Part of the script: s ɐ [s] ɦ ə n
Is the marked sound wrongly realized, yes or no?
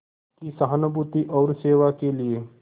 yes